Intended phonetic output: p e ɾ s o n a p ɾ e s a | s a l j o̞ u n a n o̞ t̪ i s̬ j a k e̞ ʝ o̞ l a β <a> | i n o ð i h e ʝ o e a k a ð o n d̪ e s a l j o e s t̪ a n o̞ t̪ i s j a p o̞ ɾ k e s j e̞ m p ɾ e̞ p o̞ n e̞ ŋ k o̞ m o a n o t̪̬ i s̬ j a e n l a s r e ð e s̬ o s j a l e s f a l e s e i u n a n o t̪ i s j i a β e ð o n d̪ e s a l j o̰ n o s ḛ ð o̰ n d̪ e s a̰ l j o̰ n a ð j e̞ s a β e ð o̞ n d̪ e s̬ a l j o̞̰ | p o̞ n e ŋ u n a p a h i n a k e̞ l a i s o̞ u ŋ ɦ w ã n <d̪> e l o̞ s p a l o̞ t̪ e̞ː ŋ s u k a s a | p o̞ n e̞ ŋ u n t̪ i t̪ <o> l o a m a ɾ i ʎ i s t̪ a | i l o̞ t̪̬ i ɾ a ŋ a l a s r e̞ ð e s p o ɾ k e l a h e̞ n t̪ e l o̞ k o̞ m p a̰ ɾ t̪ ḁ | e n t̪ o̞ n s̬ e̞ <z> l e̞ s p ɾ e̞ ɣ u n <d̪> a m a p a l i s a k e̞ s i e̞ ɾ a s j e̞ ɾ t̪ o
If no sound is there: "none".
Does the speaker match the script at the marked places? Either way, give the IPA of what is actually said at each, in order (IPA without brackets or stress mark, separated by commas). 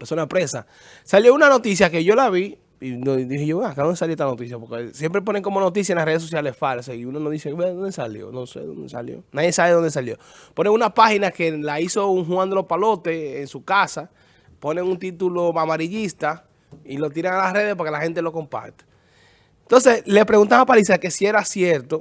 i, d̪, u, s, t̪